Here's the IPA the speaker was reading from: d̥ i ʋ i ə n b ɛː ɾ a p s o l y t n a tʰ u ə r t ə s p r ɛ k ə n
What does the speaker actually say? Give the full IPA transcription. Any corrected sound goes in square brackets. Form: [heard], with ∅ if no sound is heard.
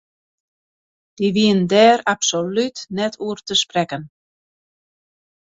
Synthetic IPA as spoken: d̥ i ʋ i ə n [d] ɛː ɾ a p s o l y t n [ɛ] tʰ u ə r t ə s p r ɛ k ə n